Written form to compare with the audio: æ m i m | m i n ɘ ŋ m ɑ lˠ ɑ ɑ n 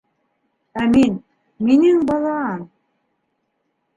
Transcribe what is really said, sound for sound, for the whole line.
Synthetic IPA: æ m i n | m i n ɘ ŋ b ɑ lˠ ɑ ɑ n